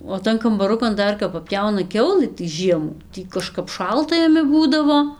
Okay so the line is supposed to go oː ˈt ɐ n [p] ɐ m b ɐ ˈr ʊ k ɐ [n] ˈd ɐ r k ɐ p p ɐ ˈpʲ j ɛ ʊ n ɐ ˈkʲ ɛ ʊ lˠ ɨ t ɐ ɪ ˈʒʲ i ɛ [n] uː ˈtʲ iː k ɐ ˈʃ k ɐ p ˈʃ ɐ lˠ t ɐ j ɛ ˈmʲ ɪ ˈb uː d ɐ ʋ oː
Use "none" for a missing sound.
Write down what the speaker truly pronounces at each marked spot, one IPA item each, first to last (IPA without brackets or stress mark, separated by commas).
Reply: k, n, m